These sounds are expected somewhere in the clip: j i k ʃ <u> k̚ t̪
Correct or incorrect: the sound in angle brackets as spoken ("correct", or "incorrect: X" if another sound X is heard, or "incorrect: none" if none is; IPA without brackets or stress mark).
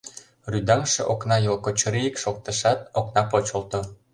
incorrect: o